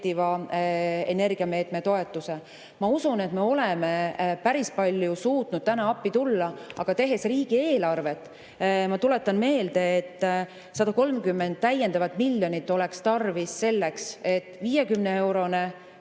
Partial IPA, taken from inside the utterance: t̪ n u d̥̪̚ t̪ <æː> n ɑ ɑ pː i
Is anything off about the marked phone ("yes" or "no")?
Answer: yes